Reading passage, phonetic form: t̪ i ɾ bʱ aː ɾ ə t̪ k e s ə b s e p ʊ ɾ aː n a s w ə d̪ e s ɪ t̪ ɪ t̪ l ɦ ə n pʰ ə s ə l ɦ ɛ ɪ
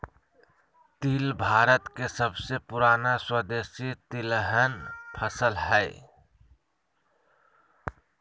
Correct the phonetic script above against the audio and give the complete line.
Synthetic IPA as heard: t̪ i l bʱ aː ɾ ə t̪ k e s ə b s e p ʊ ɾ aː n a s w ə d̪ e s i t̪ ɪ l ɦ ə n pʰ ə s ə l ɦ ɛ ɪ

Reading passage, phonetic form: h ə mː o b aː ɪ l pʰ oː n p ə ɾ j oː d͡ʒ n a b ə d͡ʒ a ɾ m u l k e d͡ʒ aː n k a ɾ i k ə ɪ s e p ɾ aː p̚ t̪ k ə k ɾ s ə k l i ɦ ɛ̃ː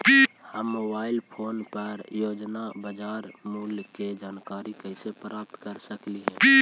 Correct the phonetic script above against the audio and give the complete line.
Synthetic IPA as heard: h ə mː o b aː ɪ l pʰ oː n p ə ɾ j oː d͡ʒ n a b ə d͡ʒ a ɾ m u l k e d͡ʒ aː n k a ɾ i k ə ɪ s e p ɾ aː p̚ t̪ k ə ɾ s ə k l i ɦ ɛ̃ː

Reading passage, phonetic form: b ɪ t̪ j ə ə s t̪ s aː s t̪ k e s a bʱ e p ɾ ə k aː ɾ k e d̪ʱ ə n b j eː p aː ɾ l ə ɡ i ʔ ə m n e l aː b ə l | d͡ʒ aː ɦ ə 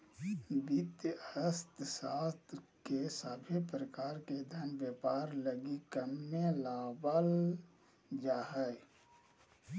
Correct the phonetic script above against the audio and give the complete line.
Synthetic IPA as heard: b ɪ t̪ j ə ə s t̪ s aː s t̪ k e s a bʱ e p ɾ ə k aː ɾ k e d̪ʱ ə n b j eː p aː ɾ l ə ɡ i k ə m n e l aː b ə l | d͡ʒ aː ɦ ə

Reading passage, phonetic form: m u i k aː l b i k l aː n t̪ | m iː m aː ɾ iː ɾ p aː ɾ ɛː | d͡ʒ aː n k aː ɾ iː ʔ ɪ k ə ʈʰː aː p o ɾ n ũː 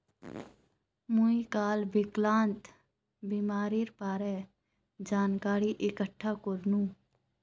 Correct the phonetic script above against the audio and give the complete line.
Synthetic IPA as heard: m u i k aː l b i k l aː n t̪ | b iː m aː ɾ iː ɾ p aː ɾ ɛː | d͡ʒ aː n k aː ɾ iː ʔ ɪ k ə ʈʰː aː k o ɾ n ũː

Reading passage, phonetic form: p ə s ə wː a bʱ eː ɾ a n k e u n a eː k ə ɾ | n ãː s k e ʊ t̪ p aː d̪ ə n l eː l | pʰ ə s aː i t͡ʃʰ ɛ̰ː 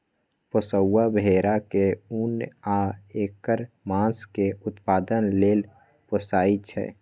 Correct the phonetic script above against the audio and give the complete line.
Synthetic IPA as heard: p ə s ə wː a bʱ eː ɾ a k e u n a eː k ə ɾ | m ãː s k e ʊ t̪ p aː d̪ ə n l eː l | p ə s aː i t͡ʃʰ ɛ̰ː

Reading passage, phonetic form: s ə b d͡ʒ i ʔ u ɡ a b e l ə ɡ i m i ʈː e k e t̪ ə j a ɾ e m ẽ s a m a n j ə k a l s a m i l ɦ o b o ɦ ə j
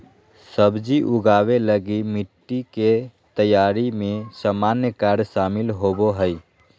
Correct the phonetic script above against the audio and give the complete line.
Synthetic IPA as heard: s ə b d͡ʒ i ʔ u ɡ a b e l ə ɡ i m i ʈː i k e t̪ ə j a ɾ i m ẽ s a m a n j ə k a ɾ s a m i l ɦ o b o ɦ ə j

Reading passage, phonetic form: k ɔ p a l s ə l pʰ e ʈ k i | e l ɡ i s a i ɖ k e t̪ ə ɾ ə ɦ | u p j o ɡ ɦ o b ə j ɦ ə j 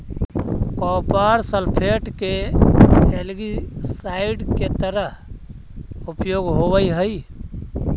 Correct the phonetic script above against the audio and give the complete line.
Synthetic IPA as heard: k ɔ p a ɾ s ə l pʰ e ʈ k e | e l ɡ i s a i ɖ k e t̪ ə ɾ ə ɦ | u p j o ɡ ɦ o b ə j ɦ ə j

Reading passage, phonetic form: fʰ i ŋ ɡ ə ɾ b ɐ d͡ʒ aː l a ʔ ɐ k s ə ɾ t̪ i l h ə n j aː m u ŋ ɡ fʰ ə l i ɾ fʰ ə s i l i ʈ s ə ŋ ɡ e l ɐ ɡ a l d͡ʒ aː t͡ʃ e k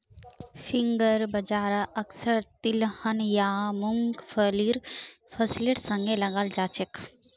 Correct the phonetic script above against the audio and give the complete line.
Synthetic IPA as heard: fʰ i ŋ ɡ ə ɾ b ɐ d͡ʒ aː ɾ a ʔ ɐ k s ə ɾ t̪ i l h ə n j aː m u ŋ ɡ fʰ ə l i ɾ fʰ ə s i l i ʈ s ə ŋ ɡ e l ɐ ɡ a l d͡ʒ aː t͡ʃ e k

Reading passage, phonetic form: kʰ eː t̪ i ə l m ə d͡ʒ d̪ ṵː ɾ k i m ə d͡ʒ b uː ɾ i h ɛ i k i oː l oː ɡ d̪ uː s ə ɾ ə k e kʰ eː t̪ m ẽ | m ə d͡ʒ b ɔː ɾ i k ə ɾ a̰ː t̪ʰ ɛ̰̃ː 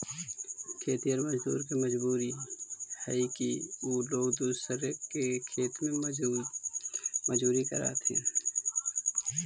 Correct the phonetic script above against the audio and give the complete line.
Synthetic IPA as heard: kʰ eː t̪ i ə ɾ m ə d͡ʒ d̪ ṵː ɾ k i m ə d͡ʒ b uː ɾ i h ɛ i k i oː l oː ɡ d̪ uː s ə ɾ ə k e kʰ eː t̪ m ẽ | m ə d͡ʒ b uː ɾ i k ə ɾ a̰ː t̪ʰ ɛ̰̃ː

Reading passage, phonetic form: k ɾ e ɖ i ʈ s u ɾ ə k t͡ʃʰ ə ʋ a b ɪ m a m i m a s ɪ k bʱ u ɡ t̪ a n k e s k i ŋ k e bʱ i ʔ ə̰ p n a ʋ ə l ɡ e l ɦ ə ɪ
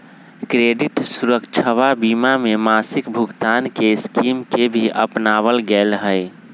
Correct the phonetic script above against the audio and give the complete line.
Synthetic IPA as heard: k ɾ e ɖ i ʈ s u ɾ ə k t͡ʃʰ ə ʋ a b i m a m e m a s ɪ k bʱ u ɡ t̪ a n k e s k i m k e bʱ i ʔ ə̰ p n a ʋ ə l ɡ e l ɦ ə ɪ

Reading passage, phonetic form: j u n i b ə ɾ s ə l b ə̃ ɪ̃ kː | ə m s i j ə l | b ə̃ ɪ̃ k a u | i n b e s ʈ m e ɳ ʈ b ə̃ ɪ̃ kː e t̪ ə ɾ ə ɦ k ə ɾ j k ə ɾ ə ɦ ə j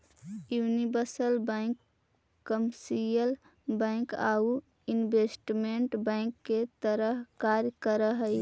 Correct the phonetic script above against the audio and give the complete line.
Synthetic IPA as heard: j u n i b ə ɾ s ə l b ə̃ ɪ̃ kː | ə m s i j ə l | b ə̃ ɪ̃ k a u | i n b e s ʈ m e ɳ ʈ b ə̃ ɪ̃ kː e t̪ ə ɾ ə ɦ k a ɾ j k ə ɾ ə ɦ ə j

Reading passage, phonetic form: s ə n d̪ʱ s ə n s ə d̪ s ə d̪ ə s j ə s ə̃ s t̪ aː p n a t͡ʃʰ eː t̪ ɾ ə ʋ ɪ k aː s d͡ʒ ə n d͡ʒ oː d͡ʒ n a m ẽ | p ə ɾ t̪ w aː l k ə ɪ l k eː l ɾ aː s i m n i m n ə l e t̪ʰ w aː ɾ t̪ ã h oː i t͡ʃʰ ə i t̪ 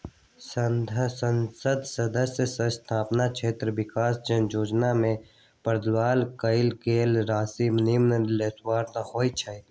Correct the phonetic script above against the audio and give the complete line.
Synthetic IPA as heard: s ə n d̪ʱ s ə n s ə d̪ s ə d̪ ə s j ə s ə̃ s t̪ʰ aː p n a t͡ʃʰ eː t̪ ɾ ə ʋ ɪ k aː s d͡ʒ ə n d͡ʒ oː d͡ʒ n a m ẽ | p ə ɾ d̪ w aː l k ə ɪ l k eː l ɾ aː s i m n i m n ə l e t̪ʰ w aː ɾ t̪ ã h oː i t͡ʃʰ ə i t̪

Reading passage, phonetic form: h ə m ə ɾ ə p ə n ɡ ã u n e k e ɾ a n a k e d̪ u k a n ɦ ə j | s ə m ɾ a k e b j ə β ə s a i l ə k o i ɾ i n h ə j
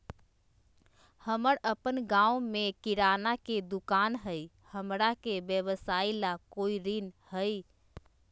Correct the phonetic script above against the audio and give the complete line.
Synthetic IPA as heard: h ə m ə ɾ ə p ə n ɡ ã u m e k i ɾ a n a k e d̪ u k a n ɦ ə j | h ə m ɾ a k e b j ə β ə s a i l a k o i ɾ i n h ə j

